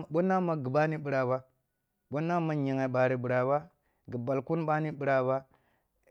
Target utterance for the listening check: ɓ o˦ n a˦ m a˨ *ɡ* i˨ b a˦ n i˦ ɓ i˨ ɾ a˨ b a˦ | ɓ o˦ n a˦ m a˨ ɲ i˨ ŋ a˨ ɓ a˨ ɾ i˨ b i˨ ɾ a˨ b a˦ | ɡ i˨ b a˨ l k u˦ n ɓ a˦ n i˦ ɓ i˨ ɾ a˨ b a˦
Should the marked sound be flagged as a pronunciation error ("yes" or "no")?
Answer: no